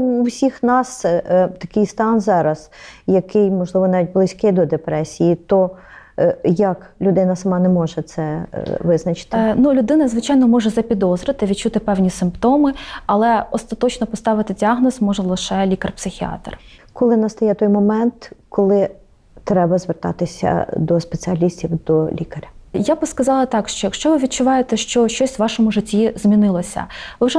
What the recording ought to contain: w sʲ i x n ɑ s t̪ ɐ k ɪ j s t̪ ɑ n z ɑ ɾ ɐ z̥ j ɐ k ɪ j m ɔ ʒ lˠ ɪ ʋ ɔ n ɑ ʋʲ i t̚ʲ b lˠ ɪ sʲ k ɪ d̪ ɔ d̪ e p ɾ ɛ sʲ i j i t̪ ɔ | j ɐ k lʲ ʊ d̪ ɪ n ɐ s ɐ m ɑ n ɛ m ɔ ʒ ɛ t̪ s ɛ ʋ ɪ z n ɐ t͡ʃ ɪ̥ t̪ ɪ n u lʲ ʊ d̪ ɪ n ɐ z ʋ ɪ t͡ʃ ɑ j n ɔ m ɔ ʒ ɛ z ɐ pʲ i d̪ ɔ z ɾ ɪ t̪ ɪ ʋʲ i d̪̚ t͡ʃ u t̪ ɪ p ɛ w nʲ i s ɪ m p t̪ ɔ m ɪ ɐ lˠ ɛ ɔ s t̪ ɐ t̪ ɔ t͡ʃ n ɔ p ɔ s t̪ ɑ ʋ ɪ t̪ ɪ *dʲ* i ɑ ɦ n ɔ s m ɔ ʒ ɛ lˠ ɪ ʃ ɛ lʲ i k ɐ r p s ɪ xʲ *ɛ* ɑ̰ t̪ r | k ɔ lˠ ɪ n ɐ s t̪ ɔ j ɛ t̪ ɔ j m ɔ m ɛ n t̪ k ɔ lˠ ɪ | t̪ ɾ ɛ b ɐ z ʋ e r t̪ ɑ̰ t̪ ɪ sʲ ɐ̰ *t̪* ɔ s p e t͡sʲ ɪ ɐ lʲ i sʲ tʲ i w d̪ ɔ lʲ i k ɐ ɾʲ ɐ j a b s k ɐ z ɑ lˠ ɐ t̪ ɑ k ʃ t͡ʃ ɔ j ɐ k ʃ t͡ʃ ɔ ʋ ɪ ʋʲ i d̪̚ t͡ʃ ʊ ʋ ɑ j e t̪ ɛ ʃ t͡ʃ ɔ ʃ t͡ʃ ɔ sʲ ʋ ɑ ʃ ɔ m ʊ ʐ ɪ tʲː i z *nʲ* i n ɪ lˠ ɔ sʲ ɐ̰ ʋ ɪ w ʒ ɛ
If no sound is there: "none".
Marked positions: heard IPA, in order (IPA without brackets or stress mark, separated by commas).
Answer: dʲ, i, d̪, mʲ